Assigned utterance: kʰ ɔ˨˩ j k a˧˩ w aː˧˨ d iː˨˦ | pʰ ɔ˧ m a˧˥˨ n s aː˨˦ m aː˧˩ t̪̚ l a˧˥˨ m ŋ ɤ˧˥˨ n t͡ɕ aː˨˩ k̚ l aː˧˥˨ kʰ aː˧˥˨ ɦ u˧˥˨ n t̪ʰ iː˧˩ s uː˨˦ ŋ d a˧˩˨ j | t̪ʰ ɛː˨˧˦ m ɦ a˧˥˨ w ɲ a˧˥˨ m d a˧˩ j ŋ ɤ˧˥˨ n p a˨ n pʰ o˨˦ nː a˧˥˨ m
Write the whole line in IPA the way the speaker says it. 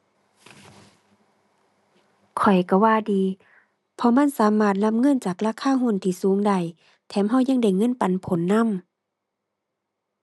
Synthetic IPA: kʰ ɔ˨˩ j k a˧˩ w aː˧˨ d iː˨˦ | pʰ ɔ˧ m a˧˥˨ n s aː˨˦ m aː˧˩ t̪̚ l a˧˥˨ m ŋ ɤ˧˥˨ n t͡ɕ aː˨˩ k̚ l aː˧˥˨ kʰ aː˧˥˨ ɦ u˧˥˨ n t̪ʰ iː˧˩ s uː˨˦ ŋ d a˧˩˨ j | t̪ʰ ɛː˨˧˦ m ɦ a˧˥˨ w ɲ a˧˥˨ ŋ d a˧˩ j ŋ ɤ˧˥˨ n p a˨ n pʰ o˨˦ nː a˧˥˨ m